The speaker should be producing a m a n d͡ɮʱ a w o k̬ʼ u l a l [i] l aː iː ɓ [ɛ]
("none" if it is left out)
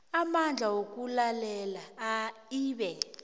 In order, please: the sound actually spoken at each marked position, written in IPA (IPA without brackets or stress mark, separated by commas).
ɛ, ɛ